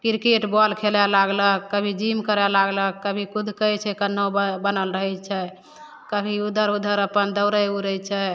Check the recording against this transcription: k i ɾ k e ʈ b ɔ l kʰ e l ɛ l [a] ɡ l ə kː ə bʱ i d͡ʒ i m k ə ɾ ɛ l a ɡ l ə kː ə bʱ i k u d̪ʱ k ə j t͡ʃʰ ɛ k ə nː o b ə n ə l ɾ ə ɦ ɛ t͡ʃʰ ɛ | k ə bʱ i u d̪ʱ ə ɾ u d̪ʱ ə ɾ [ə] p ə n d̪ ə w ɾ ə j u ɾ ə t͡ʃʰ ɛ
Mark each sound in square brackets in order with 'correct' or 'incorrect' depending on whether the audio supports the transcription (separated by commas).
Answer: correct, correct